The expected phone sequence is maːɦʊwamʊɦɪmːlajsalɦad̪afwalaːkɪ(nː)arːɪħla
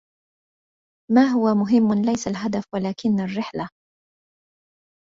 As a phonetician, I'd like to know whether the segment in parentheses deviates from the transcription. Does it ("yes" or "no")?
no